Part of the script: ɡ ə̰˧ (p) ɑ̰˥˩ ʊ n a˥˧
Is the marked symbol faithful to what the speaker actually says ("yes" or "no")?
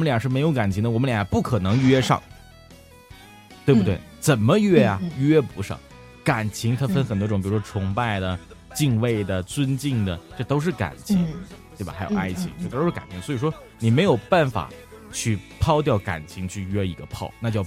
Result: no